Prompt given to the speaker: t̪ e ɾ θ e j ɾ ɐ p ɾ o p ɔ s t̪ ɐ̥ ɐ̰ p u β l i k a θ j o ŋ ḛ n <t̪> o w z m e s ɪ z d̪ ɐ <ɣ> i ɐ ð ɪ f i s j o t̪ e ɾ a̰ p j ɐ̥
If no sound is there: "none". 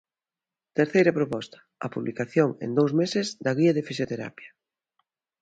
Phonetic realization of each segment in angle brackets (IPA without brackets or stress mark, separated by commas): d̪, ɣ